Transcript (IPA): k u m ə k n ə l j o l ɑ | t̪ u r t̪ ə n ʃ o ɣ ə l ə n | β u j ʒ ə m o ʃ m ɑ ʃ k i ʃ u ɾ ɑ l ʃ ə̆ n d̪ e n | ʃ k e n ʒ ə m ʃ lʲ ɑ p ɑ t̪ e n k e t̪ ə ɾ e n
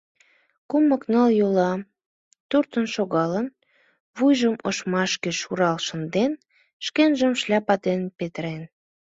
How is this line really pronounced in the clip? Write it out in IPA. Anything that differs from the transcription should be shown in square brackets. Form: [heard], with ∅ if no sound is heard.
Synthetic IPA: k u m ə k n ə l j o l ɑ | t̪ u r t̪ ə n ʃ o ɣ [ɑ] l ə n | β u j ʒ ə m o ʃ m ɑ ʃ k [e] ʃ u ɾ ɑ l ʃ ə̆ n d̪ e n | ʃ k e n ʒ ə m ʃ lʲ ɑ p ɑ t̪ e n [p] e t̪ ə ɾ e n

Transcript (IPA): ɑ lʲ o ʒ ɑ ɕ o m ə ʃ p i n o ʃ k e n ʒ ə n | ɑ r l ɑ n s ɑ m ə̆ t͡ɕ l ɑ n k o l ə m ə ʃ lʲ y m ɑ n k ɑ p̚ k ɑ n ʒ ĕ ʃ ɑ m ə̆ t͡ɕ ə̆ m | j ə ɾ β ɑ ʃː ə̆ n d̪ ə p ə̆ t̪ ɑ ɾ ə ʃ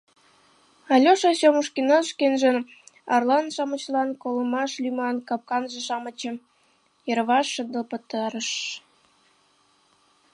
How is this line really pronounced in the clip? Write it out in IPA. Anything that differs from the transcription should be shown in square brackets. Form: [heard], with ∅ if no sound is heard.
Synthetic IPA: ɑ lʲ o [ʃ] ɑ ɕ o m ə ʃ [k] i n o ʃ k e n ʒ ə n | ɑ r l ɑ n [ʃ] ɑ m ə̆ t͡ɕ l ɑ n k o l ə m [ɑ] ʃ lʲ y m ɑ n k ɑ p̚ k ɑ n ʒ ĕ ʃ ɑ m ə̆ t͡ɕ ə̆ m | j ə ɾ β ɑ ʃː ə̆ n d̪ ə p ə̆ t̪ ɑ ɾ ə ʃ

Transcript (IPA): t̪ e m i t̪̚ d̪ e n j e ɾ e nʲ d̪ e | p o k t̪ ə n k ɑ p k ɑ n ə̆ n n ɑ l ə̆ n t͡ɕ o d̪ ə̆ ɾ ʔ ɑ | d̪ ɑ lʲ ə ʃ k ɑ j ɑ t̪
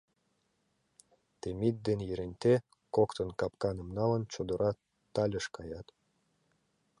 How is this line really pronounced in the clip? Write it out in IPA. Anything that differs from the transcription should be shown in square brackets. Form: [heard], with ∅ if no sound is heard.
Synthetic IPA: t̪ e m i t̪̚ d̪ e n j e ɾ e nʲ [t̪] e | [k] o k t̪ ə n k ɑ p k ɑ n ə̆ [m] n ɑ l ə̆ n t͡ɕ o d̪ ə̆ ɾ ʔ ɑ | [t̪] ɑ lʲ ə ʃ k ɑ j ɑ t̪

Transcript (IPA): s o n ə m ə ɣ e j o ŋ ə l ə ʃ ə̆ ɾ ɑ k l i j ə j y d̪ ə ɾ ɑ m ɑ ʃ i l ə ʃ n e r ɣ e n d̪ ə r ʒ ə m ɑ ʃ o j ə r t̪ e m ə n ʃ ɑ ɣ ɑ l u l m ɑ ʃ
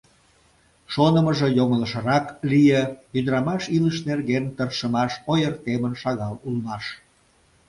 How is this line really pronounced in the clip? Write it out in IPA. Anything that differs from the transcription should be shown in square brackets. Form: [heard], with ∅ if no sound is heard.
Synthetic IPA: [ʃ] o n ə m ə [ʒ] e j o ŋ ə l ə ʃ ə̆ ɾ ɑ k l i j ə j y d̪ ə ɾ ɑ m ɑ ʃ i l ə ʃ n e r ɣ e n [t̪] ə r [ʃ] ə m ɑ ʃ o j ə r t̪ e m ə n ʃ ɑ ɣ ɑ l u l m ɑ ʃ

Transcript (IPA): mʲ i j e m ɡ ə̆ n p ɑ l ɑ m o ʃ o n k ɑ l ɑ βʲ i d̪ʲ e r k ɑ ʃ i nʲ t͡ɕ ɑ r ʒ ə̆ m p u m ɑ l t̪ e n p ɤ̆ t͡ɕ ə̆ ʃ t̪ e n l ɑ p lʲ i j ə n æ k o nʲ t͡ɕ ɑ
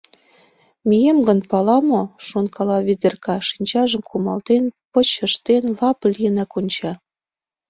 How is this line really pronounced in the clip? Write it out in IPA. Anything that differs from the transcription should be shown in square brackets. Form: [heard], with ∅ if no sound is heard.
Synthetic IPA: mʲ i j e m ɡ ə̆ n p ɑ l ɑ m o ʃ o n k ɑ l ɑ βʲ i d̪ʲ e r k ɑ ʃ i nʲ t͡ɕ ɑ [∅] ʒ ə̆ m [k] u m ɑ l t̪ e n p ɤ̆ t͡ɕ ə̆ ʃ t̪ e n l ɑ p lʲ i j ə n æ k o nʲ t͡ɕ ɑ

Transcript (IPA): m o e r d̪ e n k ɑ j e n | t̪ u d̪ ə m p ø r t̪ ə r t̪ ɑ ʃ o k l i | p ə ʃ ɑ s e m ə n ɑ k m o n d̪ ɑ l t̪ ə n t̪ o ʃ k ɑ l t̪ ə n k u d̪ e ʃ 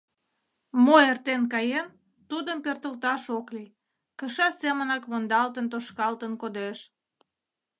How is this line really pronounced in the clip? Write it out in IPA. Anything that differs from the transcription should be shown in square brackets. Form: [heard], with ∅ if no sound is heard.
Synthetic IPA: m o e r [t̪] e n k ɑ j e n | t̪ u d̪ ə m p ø r t̪ ə [l] t̪ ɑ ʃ o k l i | [k] ə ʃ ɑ s e m ə n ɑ k m o n d̪ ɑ l t̪ ə n t̪ o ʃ k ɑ l t̪ ə n k [o] d̪ e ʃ

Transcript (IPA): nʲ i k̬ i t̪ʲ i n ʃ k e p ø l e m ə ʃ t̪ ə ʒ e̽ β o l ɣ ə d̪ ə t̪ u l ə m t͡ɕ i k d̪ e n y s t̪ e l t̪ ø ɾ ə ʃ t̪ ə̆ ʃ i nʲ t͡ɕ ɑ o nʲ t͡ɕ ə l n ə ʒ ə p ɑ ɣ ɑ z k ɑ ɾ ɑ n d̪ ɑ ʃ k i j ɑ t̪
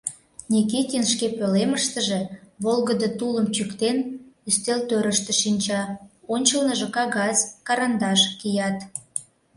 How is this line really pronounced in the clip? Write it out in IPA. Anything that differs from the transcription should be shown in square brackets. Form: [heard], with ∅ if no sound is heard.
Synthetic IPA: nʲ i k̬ i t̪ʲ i n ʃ k e p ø l e m ə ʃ t̪ ə ʒ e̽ β o l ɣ ə d̪ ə t̪ u l ə m t͡ɕ [y] k [t̪] e n y s t̪ e l t̪ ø ɾ ə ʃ t̪ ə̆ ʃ i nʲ t͡ɕ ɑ o nʲ t͡ɕ ə l n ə ʒ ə [k] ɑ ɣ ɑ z k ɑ ɾ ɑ n d̪ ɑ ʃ k i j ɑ t̪

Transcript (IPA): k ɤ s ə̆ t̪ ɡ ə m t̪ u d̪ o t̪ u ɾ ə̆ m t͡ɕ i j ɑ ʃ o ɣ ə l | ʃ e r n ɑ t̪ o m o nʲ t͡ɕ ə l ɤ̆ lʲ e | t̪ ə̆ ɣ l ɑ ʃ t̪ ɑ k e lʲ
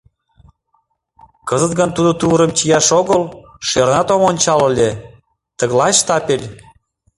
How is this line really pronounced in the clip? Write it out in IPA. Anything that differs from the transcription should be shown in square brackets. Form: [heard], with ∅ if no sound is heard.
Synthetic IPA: k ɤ [z] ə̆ t̪ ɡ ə [n] t̪ u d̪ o t̪ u ɾ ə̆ m t͡ɕ i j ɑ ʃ o ɣ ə l | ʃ e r n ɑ t̪ o m o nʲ t͡ɕ [ɑ] l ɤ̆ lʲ e | t̪ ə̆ ɣ l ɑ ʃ t̪ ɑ [p] e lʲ

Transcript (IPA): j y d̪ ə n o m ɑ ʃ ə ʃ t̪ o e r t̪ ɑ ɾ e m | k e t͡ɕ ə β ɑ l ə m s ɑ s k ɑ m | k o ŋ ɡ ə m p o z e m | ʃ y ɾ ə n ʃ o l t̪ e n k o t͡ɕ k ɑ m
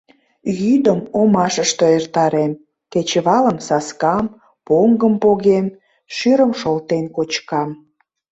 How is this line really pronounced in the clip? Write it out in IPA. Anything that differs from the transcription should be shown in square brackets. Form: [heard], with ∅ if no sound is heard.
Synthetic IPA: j y d̪ ə [m] o m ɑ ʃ ə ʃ t̪ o e r t̪ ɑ ɾ e m | k e t͡ɕ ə β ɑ l ə m s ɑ s k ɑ m | [p] o ŋ ɡ ə m p o [ɣ] e m | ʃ y ɾ ə [m] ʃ o l t̪ e n k o t͡ɕ k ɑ m

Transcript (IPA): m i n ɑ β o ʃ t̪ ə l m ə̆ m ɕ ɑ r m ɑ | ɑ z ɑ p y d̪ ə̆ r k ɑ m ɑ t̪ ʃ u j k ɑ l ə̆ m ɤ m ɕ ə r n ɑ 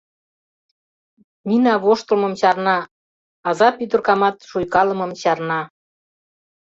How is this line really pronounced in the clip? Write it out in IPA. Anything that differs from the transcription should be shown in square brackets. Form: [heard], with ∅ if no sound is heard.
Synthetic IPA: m i n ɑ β o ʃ t̪ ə l m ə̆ m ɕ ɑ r [n] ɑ | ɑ z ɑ p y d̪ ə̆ r k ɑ m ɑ t̪ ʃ u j k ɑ l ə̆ m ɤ m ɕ [ɑ] r n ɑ

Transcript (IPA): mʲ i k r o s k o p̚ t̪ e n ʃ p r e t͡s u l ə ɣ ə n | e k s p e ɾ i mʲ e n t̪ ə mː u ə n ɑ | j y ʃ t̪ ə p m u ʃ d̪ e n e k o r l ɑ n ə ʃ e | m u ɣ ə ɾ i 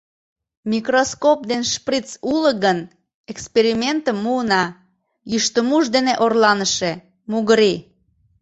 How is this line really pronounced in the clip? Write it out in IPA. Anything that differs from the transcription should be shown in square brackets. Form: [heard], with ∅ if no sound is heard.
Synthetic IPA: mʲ i k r o s k o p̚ [d̪] e n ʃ p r [i] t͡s u l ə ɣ ə n | e k s p e ɾ i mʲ e n t̪ ə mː u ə n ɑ | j y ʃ t̪ ə [∅] m u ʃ d̪ e n e [ʔ] o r l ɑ n ə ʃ e | m u ɣ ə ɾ i

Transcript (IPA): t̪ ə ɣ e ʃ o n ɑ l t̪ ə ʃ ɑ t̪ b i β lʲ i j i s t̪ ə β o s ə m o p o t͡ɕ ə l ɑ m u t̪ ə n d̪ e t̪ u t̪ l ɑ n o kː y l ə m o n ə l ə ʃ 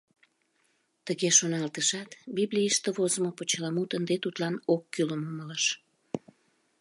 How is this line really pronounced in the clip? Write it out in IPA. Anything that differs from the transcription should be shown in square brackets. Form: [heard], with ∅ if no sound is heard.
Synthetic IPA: t̪ ə ɣ e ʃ o n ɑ l t̪ ə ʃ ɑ t̪ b i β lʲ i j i [ʃ] t̪ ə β o [z] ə m o p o t͡ɕ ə l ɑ m u t̪ ə n d̪ e t̪ u t̪ l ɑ n o kː y l ə m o [m] ə l ə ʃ

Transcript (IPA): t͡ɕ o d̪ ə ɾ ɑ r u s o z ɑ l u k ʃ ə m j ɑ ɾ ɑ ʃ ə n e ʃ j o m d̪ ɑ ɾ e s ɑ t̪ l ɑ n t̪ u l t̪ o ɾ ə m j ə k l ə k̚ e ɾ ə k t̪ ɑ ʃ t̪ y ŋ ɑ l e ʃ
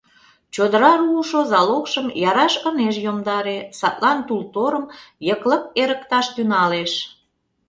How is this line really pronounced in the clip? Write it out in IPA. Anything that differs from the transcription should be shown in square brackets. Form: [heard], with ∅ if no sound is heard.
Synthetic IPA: t͡ɕ o d̪ ə ɾ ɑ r u [ʃ] o z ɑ l [o] k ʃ ə m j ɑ ɾ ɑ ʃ ə n e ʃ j o m d̪ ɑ ɾ e s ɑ t̪ l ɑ n t̪ u l t̪ o ɾ ə m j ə k l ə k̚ e ɾ ə k t̪ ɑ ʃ t̪ y [n] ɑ l e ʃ

